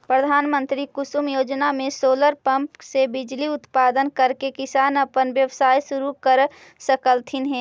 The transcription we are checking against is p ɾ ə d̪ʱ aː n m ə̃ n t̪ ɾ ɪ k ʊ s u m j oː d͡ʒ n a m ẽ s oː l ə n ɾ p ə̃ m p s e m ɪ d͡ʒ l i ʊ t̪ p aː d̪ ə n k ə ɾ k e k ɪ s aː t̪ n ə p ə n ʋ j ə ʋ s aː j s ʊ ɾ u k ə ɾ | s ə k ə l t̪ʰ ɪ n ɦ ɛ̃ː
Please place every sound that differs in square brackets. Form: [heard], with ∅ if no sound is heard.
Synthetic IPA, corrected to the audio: p ɾ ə d̪ʱ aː n m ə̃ n t̪ ɾ [i] k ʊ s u m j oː d͡ʒ n a m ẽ s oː l ə [∅] ɾ p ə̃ m p s e [b] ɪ d͡ʒ l i ʊ t̪ p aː d̪ ə n k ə ɾ k e k ɪ s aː [∅] n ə p ə n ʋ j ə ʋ s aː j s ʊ ɾ u k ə ɾ | s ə k ə l t̪ʰ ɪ n ɦ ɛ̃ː